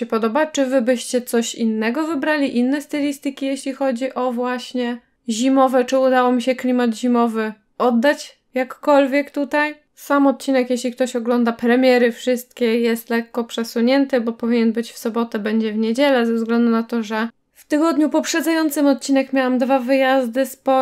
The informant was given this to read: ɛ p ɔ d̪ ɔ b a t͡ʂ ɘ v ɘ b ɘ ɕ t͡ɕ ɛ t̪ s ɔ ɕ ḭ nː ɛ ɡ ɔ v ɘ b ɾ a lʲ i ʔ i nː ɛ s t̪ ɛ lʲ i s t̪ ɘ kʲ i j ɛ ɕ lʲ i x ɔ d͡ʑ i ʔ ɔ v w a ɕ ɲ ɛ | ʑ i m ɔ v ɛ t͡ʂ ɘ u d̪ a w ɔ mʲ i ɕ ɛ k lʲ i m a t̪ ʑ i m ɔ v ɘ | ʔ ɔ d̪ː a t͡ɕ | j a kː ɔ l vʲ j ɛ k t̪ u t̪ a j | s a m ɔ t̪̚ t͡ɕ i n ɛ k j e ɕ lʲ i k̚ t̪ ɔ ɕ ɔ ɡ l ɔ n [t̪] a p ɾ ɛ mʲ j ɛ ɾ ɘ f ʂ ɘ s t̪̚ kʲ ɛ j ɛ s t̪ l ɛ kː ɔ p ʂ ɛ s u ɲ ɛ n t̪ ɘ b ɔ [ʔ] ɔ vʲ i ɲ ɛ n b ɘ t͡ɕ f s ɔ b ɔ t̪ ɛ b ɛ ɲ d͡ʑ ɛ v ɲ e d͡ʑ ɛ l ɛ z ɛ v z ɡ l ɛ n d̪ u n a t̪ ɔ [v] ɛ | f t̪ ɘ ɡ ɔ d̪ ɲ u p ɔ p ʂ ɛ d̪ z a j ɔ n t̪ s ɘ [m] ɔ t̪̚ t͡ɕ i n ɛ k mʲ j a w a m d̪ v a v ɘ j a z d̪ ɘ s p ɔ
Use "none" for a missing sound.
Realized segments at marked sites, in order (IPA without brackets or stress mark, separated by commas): d̪, p, ʐ, m